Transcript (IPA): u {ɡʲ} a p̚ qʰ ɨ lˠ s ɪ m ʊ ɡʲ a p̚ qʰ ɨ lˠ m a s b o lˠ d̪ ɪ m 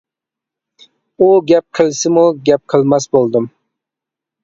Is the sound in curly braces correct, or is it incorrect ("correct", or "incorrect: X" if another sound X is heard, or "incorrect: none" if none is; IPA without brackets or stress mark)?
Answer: correct